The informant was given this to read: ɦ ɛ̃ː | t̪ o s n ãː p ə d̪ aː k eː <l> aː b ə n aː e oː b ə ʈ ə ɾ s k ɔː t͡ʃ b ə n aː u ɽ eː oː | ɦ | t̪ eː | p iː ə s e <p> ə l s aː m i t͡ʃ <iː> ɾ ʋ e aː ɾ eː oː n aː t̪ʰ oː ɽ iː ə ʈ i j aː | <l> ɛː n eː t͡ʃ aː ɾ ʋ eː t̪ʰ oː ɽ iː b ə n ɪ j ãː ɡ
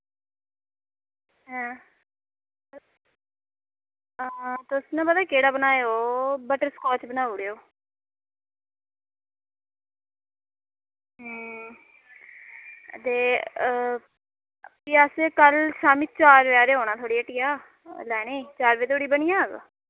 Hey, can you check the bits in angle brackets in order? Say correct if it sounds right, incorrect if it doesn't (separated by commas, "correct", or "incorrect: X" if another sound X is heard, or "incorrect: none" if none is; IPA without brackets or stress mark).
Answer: incorrect: ɽ, incorrect: k, incorrect: aː, correct